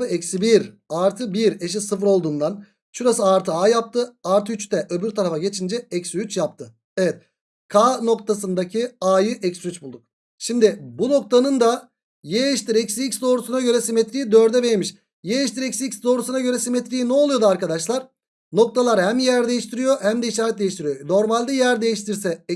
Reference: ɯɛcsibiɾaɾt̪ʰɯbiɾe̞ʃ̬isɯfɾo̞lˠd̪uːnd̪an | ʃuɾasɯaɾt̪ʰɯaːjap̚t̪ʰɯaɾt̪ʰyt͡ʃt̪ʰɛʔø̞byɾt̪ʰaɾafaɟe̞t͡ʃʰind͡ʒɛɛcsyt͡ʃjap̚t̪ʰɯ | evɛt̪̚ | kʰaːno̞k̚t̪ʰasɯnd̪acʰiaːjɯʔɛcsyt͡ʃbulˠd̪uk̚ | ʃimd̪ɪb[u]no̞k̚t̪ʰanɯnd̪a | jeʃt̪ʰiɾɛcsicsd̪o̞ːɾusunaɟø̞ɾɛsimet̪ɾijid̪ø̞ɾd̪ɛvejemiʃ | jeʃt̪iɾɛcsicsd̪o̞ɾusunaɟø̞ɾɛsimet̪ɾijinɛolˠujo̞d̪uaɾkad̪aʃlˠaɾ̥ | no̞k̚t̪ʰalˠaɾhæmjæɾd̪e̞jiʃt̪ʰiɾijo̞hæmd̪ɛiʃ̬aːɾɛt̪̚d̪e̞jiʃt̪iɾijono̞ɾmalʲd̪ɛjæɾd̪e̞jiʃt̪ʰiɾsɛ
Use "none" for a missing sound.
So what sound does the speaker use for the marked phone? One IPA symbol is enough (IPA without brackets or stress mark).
u